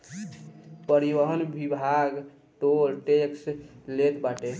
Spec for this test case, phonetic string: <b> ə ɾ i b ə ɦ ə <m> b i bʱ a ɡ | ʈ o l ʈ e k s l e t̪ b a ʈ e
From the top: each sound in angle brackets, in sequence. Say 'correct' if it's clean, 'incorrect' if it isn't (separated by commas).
incorrect, incorrect